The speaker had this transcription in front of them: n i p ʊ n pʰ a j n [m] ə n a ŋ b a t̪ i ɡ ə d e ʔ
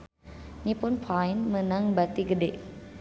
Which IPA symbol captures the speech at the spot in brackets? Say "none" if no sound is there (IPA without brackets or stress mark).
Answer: m